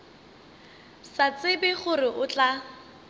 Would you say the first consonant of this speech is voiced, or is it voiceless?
voiceless